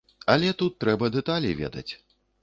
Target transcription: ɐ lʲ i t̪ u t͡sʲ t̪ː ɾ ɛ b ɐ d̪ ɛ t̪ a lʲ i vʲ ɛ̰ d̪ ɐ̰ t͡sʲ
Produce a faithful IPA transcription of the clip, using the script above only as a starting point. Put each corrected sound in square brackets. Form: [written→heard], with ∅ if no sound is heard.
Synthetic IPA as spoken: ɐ lʲ [i→ɛ] t̪ u [t͡sʲ→∅] t̪ː ɾ ɛ b ɐ d̪ ɛ t̪ a lʲ i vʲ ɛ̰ d̪ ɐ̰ t͡sʲ